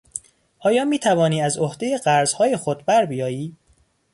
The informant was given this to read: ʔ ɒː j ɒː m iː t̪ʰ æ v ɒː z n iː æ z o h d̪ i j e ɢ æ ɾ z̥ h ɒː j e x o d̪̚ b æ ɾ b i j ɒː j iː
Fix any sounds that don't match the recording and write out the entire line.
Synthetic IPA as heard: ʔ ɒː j ɒː m iː t̪ʰ æ v ɒː n iː æ z o h d̪ e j e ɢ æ ɾ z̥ h ɒː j e x o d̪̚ b æ ɾ b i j ɒː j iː